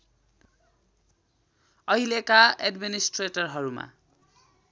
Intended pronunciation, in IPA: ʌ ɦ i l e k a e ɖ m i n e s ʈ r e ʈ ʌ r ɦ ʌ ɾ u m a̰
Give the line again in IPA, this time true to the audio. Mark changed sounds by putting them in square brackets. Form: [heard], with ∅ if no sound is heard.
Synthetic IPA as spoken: ʌ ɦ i l e k a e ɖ m i n [i] s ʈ r e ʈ ʌ r ɦ ʌ ɾ u m a̰